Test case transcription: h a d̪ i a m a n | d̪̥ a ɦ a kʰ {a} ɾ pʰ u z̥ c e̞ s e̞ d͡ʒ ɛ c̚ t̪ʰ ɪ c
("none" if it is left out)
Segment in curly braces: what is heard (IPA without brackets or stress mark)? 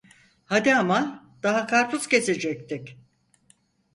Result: a